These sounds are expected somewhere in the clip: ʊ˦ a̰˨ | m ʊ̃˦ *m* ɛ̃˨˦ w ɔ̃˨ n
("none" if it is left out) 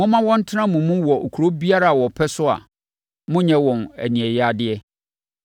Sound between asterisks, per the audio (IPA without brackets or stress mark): ɲ